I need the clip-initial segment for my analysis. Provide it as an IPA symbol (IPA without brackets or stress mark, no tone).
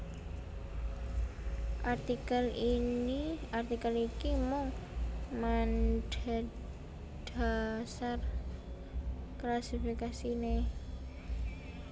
ʔ